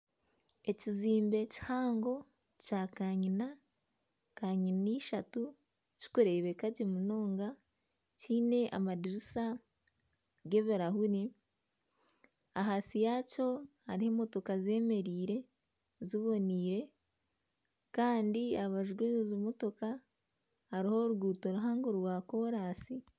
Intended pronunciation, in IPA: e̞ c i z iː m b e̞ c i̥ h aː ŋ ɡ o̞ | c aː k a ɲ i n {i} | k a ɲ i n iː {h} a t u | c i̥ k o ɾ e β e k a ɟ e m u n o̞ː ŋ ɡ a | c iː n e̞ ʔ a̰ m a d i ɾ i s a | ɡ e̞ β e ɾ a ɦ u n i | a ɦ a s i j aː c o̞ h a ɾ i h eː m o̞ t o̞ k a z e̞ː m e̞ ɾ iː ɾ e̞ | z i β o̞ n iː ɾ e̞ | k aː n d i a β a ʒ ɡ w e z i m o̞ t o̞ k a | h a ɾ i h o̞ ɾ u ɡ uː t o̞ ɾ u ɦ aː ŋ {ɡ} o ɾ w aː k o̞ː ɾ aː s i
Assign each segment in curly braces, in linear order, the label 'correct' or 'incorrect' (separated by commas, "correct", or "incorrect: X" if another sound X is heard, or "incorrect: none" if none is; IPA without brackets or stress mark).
incorrect: a, incorrect: ʃ, correct